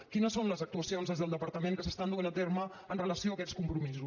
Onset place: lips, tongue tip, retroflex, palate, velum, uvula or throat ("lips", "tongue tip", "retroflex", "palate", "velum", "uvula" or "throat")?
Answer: velum